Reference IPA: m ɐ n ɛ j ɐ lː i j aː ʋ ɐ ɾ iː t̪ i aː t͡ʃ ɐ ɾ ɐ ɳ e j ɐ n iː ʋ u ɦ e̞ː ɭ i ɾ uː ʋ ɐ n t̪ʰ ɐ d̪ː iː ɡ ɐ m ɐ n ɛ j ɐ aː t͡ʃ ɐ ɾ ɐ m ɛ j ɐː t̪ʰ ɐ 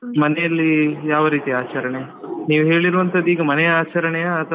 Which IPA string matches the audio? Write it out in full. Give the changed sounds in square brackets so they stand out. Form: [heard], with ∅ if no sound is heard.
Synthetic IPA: m ɐ n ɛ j ɐ lː i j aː ʋ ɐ ɾ iː t̪ i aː t͡ʃ ɐ ɾ ɐ ɳ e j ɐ n iː ʋ u ɦ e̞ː ɭ i ɾ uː ʋ ɐ n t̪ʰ ɐ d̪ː iː ɡ ɐ m ɐ n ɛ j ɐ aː t͡ʃ ɐ ɾ ɐ [ɳ] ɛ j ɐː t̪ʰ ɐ